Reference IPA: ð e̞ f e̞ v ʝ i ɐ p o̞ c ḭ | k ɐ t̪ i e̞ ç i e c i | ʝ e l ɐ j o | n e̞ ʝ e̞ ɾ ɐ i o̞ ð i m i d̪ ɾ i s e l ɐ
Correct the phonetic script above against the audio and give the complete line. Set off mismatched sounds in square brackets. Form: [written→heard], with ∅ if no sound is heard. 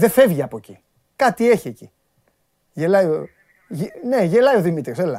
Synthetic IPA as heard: ð e̞ f e̞ v ʝ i ɐ p o̞ c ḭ | k ɐ t̪ i e̞ ç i e c i | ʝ e l ɐ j o | n e̞ ʝ e̞ [ɾ→l] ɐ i o̞ ð i m i [d̪→t̪] ɾ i s e l ɐ